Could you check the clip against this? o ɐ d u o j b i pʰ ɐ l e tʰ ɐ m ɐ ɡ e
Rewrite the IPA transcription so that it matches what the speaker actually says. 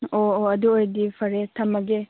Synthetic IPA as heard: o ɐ d u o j d i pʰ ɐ ɾ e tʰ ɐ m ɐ ɡ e